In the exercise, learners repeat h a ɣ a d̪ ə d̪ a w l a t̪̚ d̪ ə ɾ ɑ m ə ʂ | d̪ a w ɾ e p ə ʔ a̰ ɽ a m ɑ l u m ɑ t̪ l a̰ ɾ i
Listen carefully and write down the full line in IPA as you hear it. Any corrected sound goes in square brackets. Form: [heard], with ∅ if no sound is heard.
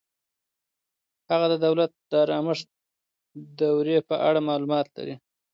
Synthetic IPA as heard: h a ɣ a d̪ ə d̪ a w l a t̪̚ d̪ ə ɾ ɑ m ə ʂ | d̪ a w ɾ e p ə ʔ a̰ ɽ a m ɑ l u m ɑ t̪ l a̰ ɾ i